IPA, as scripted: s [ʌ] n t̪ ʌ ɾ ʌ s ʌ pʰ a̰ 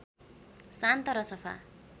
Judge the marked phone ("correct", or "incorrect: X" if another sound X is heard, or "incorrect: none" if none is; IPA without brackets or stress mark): incorrect: a